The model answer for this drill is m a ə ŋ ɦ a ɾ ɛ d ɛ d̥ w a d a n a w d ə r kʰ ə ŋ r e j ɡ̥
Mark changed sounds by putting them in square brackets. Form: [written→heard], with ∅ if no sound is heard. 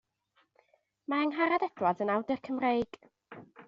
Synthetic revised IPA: m a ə ŋ ɦ a ɾ [ɛ→a] d ɛ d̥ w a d [a→ə] n a w d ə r kʰ ə [ŋ→m] r e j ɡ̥

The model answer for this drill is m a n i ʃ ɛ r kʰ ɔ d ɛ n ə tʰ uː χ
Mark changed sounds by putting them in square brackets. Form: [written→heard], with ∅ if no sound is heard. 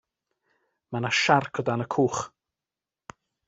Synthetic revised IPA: m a n [i→a] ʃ [ɛ→a] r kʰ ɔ d [ɛ→a] n ə [tʰ→kʰ] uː χ

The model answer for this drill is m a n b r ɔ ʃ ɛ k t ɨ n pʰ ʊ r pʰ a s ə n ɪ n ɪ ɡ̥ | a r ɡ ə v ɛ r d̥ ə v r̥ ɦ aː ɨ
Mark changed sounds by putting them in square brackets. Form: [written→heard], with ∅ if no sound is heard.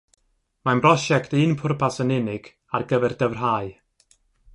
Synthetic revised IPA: m a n b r ɔ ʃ ɛ k t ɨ n pʰ ʊ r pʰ a s ə n ɪ n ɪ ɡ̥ | a r ɡ ə v ɛ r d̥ ə v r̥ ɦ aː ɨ

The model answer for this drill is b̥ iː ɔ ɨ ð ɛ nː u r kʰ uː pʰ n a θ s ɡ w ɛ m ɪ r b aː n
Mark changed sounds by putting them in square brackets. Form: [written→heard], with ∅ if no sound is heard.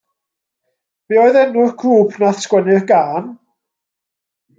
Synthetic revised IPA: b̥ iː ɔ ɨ ð ɛ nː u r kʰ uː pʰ n a θ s [ɡ→k] w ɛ [m→n] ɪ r [b→ɡ] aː n

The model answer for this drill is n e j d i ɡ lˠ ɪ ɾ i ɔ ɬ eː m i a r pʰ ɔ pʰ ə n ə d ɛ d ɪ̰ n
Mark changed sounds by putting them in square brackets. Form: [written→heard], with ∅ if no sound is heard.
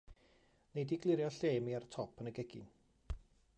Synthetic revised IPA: n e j d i ɡ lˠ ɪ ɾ [i→j] ɔ ɬ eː m i a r [pʰ→tʰ] ɔ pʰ ə n ə [d→ɡ] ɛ [d→ɡ] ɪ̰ n

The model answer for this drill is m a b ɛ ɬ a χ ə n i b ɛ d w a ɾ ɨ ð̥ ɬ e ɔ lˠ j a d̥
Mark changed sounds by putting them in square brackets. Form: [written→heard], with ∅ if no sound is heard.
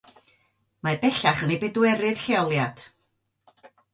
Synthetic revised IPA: m a b ɛ ɬ a χ ə n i b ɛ d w [a→ɛ] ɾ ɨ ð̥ ɬ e ɔ lˠ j a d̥

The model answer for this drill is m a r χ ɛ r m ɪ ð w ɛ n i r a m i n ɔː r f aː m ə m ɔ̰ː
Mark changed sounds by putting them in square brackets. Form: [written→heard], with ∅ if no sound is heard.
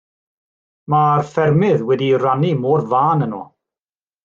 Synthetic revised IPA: m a r [χ→f] ɛ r m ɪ ð w ɛ [n→d] i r a [m→n] i [n→m] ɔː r [f→v] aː [m→n] ə [m→n] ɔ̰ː

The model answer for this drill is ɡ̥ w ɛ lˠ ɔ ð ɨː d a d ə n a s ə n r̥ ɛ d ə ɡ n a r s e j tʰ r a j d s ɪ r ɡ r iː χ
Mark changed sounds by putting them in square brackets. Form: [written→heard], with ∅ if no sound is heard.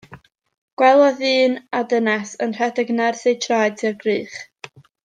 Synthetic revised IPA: ɡ̥ w ɛ lˠ ɔ ð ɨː [d→n] a d ə n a s ə n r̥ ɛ d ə ɡ n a r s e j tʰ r a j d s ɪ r ɡ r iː χ

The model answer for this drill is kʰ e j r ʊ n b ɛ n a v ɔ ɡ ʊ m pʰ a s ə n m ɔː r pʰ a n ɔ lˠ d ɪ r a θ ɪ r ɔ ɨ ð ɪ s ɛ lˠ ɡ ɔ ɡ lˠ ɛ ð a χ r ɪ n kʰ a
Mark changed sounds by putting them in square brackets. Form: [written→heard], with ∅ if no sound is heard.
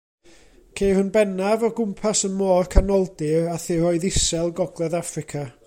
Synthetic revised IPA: kʰ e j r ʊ n b ɛ n a v ɔ ɡ ʊ m pʰ a s ə n m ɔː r [pʰ→kʰ] a n ɔ lˠ d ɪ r a θ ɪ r ɔ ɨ ð ɪ s ɛ lˠ ɡ ɔ ɡ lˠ ɛ ð a [χ→f] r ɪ [n→∅] kʰ a

